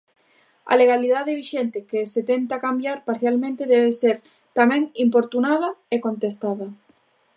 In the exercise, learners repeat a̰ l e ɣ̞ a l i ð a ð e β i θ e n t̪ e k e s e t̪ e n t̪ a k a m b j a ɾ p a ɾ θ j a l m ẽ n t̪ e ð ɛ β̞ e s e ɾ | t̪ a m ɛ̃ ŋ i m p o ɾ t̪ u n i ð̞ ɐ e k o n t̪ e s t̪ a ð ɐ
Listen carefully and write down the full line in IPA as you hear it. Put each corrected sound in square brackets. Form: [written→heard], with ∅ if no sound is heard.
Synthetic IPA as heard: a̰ l e ɣ̞ a l i ð a ð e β i [θ→ʃ] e n t̪ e k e s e t̪ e n t̪ a k a m b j a ɾ p a ɾ θ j a l m ẽ n t̪ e ð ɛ β̞ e s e ɾ | t̪ a m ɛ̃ ŋ i m p o ɾ t̪ u n [i→a] ð̞ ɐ e k o n t̪ e s t̪ a ð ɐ

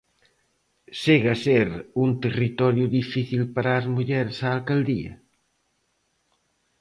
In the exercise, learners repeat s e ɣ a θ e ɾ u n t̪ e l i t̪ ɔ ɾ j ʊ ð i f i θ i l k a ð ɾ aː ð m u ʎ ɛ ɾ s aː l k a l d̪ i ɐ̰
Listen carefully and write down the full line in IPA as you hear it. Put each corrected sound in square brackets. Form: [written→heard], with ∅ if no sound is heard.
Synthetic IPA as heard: s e ɣ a [θ→s] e ɾ u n t̪ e [l→r] i t̪ ɔ ɾ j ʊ ð i f i θ i l [k→p] a [ð→∅] ɾ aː [ð→z] m u ʎ ɛ ɾ s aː l k a l d̪ i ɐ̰

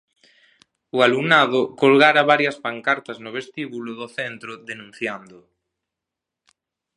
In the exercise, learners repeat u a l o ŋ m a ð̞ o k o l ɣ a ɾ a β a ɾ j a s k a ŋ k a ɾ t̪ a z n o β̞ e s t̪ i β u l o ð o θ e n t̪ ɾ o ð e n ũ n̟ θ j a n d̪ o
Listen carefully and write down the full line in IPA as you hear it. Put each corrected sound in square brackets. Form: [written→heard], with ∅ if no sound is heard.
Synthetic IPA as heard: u a l [o→u] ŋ [m→n] a ð̞ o k o l ɣ a ɾ a β a ɾ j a s [k→p] a ŋ k a ɾ t̪ a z n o β̞ e s t̪ i β u l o ð o θ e n t̪ ɾ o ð e n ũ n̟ θ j a n d̪ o

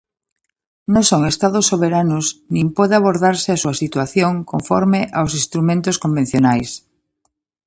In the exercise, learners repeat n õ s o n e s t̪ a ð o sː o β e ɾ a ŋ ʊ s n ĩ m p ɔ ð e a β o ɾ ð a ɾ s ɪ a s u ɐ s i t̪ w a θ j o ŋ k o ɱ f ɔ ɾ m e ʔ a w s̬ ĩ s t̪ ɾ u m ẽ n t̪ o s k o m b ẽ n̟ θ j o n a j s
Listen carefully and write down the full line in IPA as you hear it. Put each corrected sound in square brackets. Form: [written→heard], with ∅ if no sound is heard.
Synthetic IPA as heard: n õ s o [n→ŋ] e s t̪ a ð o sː o β e ɾ a [ŋ→n] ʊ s n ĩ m p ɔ ð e a β o ɾ ð a ɾ s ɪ a s u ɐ s i t̪ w a θ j o ŋ k o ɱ f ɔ ɾ m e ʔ a w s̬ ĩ s t̪ ɾ u m ẽ n t̪ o s k o m b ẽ n̟ θ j o n a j s

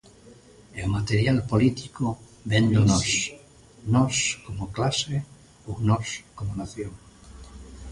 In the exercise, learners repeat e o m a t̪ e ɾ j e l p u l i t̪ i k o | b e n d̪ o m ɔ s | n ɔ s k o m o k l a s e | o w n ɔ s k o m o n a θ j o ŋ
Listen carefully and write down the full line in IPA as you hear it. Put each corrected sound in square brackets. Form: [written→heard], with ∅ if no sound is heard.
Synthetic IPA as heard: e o m a t̪ e ɾ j [e→a] l p [u→o] l i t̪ i k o | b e n d̪ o [m→n] ɔ s | n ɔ s k o m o k l a s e | o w n ɔ s k o m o n a θ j o ŋ

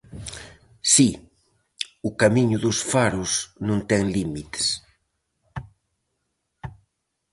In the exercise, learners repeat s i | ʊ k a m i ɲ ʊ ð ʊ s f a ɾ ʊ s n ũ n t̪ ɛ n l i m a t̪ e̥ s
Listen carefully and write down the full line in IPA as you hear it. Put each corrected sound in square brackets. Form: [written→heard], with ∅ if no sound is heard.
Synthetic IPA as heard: s i | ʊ k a m i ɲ ʊ ð ʊ s f a ɾ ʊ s n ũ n t̪ ɛ [n→ŋ] l i m [a→i] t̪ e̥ s

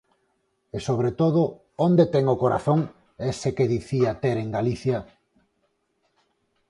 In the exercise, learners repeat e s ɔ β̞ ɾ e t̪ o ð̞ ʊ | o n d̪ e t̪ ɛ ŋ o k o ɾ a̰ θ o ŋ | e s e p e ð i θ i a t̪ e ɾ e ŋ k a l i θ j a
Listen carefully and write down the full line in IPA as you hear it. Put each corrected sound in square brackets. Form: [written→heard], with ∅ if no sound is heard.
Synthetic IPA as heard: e s [ɔ→o] β̞ ɾ e t̪ o ð̞ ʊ | o n d̪ e t̪ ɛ ŋ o k o ɾ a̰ θ o ŋ | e s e [p→k] e ð i θ i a t̪ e ɾ e ŋ [k→ɡ] a l i θ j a

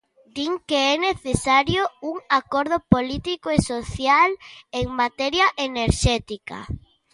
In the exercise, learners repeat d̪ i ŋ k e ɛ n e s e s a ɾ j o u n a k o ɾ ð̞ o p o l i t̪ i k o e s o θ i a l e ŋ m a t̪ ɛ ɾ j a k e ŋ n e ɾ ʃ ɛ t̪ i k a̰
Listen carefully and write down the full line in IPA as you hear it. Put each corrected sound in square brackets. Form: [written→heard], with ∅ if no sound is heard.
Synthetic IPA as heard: d̪ i ŋ k e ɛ n e [s→θ] e s a ɾ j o u [n→ŋ] a k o ɾ ð̞ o p o l i t̪ i k o e s o θ [i→j] a l e ŋ m a t̪ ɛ ɾ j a [k→ʔ] e [ŋ→∅] n e ɾ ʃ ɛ t̪ i k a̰

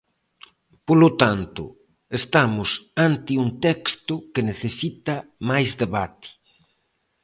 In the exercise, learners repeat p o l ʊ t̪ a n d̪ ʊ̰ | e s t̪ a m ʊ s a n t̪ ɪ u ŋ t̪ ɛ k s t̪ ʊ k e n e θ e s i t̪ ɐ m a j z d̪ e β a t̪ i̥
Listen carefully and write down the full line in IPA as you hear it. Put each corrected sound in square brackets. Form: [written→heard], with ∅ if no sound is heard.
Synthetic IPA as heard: p o l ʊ t̪ a n [d̪→t̪] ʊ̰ | e s t̪ a m ʊ s a n t̪ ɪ u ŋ t̪ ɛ k s t̪ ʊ k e n e θ e s i t̪ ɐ m a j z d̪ e β a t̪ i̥

